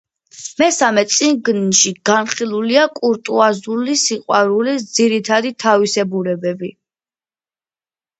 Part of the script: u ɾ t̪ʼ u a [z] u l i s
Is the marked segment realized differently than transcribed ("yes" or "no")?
no